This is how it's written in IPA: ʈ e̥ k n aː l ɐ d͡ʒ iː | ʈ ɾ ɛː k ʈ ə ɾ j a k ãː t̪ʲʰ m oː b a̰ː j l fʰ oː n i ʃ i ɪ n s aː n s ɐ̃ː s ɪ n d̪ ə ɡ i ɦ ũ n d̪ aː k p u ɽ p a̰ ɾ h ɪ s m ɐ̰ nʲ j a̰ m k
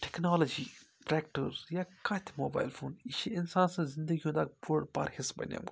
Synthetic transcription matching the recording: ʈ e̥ k n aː l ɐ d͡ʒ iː | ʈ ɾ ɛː k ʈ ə ɾ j a k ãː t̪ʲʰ m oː b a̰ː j l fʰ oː n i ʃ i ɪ n s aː n s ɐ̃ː z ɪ n d̪ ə ɡ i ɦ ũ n d̪ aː k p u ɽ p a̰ ɾ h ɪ s b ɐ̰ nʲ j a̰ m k